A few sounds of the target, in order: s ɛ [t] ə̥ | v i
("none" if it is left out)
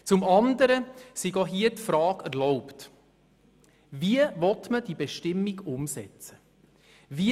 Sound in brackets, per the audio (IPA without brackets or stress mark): t͡s